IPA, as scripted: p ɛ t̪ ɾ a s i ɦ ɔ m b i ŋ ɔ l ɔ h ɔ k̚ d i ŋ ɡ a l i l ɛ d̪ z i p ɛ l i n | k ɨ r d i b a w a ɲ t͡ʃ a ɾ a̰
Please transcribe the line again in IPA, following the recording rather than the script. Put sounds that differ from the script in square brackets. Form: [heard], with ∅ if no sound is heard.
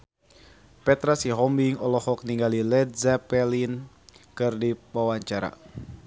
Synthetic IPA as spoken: p ɛ t̪ ɾ a s i ɦ ɔ m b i ŋ ɔ l ɔ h ɔ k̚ [n] i ŋ ɡ a l i l ɛ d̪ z [a] p ɛ l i n | k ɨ r d i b a w a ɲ t͡ʃ a ɾ a̰